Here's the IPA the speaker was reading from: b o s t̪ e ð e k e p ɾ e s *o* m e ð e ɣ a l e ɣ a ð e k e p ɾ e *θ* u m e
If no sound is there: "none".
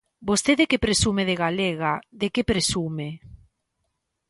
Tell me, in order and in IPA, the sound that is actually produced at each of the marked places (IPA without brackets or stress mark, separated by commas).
u, s